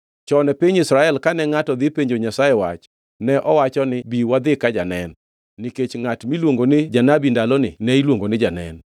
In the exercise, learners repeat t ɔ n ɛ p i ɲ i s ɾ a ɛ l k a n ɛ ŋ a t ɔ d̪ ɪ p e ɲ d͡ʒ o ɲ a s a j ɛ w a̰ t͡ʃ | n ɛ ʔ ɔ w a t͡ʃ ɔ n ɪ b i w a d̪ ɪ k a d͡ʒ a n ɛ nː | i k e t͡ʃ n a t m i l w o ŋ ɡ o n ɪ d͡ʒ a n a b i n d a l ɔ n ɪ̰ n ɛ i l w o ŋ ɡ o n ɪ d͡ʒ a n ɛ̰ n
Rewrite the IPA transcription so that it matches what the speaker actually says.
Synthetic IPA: t͡ʃ ɔ n ɛ p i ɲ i s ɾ a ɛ l k a n ɛ ŋ a t ɔ d̪ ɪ p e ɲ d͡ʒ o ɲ a s a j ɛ w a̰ t͡ʃ | n ɛ ʔ ɔ w a t͡ʃ ɔ n ɪ b i w a d̪ ɪ k a d͡ʒ a n ɛ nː | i k e t͡ʃ ŋ a t m i l w o ŋ ɡ o n ɪ d͡ʒ a n a b i n d a l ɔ n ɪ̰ n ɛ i l w o ŋ ɡ o n ɪ d͡ʒ a n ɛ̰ n